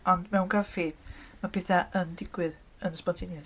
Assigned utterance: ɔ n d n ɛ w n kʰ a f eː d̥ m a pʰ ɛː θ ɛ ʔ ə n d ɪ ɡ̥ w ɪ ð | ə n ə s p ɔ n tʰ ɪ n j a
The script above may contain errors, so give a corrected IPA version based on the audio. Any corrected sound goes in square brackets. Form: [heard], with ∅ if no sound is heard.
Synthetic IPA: ɔ n d [m] ɛ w n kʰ a f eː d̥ m a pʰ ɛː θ [a] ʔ ə n d ɪ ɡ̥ w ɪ ð | ə n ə s p ɔ n tʰ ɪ n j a